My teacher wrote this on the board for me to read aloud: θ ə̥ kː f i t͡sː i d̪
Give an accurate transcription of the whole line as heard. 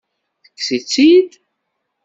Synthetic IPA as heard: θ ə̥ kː s i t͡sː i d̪